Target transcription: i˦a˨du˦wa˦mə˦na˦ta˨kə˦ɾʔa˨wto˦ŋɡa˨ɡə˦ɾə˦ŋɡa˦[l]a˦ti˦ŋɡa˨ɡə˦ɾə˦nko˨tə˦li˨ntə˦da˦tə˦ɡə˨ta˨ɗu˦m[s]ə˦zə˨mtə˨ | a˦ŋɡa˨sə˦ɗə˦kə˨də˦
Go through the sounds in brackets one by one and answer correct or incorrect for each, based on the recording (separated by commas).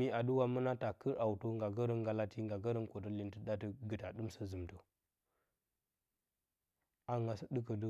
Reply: correct, correct